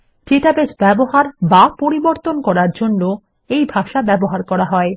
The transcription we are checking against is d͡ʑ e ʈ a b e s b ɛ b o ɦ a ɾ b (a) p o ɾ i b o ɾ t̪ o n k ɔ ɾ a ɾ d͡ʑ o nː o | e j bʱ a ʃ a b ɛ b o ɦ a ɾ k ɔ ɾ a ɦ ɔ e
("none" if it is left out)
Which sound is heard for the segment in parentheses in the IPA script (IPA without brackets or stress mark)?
a